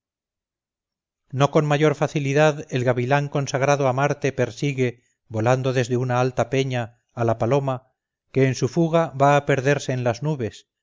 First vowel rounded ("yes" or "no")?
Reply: yes